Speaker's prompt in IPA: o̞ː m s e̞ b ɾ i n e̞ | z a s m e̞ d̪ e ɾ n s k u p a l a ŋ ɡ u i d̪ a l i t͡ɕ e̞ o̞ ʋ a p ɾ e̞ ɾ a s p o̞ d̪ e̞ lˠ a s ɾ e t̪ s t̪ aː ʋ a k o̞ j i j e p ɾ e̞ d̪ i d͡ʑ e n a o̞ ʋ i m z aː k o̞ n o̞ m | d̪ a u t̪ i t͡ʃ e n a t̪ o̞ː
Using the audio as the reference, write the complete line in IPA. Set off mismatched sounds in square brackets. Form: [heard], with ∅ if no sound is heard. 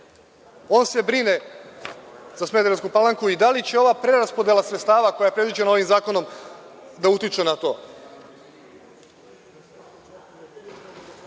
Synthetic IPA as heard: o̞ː [n] s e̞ b ɾ i n e̞ | z a s m e̞ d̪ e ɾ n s k u p a l a ŋ [k] u i d̪ a l i t͡ɕ e̞ o̞ ʋ a p ɾ e̞ ɾ a s p o̞ d̪ e̞ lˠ a s ɾ e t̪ s t̪ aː ʋ a k o̞ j [a] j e p ɾ e̞ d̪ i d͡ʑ e n a o̞ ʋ i m z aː k o̞ n o̞ m | d̪ a u t̪ i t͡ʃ e n a t̪ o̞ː

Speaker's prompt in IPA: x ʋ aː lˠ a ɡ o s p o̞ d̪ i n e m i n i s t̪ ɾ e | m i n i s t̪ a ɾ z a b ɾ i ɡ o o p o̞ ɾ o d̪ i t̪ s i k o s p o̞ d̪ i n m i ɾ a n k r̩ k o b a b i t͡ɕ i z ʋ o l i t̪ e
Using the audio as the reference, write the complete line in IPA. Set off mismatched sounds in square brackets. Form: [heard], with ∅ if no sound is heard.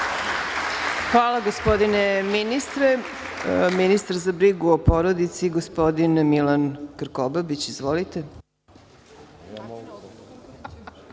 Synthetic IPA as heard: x ʋ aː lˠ a ɡ o s p o̞ d̪ i n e m i n i s t̪ ɾ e | m i n i s t̪ a ɾ z a b ɾ i ɡ [u] o p o̞ ɾ o d̪ i t̪ s i [ɡ] o s p o̞ d̪ i n m i [l] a n k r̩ k o b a b i t͡ɕ i z ʋ o l i t̪ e

